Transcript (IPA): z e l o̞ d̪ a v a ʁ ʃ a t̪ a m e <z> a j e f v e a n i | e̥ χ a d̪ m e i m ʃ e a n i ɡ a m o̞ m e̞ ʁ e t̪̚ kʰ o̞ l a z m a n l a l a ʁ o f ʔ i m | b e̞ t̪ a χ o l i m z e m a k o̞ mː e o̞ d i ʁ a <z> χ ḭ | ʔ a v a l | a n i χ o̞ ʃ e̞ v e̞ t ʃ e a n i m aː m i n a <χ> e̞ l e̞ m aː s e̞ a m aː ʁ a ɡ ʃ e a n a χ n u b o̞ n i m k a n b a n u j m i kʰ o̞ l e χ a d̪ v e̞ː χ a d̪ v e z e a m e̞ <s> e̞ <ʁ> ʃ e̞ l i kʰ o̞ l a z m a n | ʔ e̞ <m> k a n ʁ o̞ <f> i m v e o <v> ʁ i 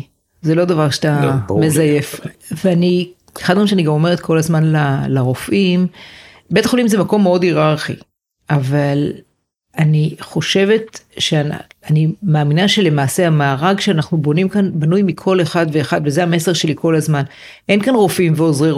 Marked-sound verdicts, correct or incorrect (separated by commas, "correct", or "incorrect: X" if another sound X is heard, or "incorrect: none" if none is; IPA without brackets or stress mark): correct, incorrect: ʁ, incorrect: ʃ, correct, correct, incorrect: n, correct, incorrect: z